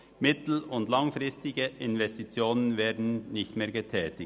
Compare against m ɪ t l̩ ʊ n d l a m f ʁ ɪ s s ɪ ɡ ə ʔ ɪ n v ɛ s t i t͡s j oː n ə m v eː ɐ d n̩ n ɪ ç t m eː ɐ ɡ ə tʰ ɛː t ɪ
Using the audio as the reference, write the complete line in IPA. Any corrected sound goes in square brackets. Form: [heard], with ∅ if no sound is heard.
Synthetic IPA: m ɪ t l̩ ʊ n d l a [ŋ] f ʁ ɪ s [t] ɪ ɡ ə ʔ ɪ n v ɛ s t i t͡s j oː n ə [n] v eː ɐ d n̩ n ɪ ç t m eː ɐ ɡ ə tʰ ɛː t ɪ